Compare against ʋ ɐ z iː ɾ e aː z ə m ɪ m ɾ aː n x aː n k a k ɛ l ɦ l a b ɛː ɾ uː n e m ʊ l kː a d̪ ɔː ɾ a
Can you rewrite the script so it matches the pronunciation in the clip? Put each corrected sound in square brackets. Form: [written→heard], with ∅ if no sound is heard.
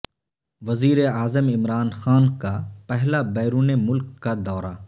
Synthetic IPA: ʋ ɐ z iː ɾ e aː z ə m ɪ m ɾ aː n x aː n k a [k→p] ɛ [l→∅] ɦ l a b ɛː ɾ uː n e m ʊ l kː a d̪ ɔː ɾ a